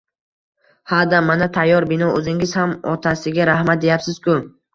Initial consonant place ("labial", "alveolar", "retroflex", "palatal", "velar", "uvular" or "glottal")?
glottal